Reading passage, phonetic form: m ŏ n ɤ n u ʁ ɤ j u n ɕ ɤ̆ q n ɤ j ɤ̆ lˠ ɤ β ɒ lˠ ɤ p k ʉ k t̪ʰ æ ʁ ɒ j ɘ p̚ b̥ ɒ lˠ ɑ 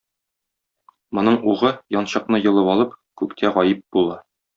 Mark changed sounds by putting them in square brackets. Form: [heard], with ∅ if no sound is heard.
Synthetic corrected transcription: m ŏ n ɤ [ɴ] u ʁ ɤ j [ɒ] n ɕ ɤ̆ q n ɤ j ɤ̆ lˠ ɤ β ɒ lˠ ɤ p k ʉ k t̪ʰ æ ʁ ɒ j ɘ p̚ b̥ [u] lˠ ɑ